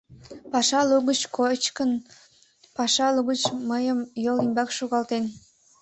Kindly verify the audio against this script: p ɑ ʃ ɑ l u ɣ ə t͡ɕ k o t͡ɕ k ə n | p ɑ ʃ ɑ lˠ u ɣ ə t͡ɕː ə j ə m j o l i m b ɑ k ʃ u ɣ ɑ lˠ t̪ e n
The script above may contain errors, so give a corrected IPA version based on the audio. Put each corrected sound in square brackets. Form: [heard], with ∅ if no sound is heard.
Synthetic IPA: p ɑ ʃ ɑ l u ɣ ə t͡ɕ k o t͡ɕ k ə n | p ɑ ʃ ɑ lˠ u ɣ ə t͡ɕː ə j ə m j o l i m b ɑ k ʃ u ɣ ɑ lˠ t̪ e n